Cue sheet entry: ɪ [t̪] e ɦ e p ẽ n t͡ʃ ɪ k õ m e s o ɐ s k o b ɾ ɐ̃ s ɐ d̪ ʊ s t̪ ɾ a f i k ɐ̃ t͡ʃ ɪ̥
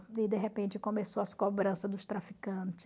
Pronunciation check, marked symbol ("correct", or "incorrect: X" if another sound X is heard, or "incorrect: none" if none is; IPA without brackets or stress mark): incorrect: d̪